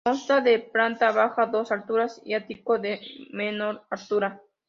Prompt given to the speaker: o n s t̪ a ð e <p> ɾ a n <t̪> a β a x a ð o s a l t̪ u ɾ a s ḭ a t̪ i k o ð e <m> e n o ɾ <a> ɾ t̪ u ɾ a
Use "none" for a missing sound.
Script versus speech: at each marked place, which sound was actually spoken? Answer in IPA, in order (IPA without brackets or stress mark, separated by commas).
p, t̪, m, a